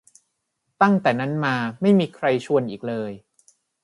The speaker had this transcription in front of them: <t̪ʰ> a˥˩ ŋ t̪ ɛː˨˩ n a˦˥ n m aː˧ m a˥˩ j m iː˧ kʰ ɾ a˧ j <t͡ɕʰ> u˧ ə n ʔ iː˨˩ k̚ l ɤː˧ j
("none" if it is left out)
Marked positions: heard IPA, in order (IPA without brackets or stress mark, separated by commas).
t̪, t͡ɕʰ